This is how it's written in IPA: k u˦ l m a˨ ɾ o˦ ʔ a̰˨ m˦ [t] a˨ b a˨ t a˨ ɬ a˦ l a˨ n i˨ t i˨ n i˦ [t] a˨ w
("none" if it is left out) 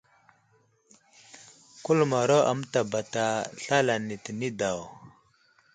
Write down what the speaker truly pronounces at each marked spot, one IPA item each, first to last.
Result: t, d

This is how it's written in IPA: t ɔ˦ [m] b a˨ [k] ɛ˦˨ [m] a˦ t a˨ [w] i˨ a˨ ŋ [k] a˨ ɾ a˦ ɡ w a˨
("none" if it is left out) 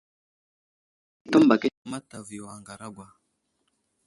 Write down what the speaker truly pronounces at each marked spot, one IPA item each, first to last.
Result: m, k, m, v, ɡ

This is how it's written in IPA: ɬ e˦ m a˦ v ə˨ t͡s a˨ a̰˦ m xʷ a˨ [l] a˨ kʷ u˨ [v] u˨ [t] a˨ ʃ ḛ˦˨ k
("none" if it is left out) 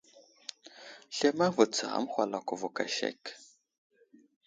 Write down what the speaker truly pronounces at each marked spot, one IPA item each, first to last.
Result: l, v, k

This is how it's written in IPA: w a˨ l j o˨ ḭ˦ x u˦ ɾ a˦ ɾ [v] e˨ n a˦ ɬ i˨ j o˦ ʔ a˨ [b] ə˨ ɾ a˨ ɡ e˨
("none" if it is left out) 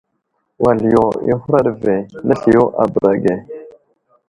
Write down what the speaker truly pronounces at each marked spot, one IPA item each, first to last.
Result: v, b

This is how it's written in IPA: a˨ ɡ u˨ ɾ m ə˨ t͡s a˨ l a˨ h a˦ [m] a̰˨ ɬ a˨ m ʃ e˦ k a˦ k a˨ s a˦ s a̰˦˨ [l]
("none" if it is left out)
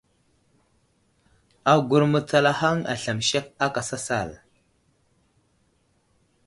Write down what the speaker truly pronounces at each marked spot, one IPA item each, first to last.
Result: ŋ, l

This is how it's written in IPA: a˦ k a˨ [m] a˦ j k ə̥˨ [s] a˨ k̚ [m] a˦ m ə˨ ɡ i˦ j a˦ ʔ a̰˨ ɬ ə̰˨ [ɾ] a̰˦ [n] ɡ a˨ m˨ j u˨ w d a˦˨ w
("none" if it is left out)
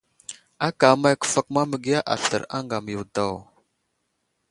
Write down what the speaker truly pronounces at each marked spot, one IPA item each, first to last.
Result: m, f, m, ɾ, ŋ

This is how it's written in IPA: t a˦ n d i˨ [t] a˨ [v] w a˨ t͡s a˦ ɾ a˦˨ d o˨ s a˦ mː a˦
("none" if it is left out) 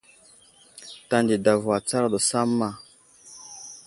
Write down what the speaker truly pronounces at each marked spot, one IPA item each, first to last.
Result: d, v

